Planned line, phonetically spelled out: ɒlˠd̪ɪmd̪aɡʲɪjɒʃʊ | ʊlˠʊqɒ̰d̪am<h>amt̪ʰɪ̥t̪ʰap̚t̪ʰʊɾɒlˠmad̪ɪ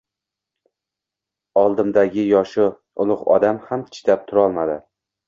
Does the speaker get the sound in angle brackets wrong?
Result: no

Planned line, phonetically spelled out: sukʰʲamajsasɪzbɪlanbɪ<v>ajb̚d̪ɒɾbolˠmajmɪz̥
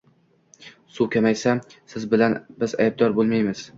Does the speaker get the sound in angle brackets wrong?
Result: yes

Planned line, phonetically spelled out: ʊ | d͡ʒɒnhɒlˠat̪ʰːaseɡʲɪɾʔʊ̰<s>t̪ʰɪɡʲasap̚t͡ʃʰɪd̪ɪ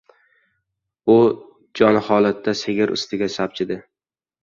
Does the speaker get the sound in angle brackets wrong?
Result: no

